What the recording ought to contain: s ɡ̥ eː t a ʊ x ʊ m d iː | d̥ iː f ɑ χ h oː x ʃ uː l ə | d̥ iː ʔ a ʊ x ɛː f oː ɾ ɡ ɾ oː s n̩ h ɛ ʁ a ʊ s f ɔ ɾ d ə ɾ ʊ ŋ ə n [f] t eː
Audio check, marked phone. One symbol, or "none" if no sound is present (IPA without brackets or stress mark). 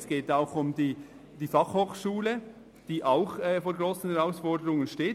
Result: ʃ